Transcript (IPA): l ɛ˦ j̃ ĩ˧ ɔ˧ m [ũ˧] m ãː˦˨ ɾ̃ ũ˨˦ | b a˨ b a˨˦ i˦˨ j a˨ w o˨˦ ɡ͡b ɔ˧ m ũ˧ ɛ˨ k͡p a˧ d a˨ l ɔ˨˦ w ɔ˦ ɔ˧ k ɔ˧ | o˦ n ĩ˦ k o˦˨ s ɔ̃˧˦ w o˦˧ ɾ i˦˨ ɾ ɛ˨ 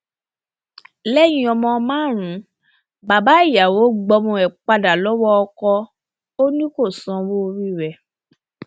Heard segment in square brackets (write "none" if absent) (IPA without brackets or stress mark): ɔ̃˧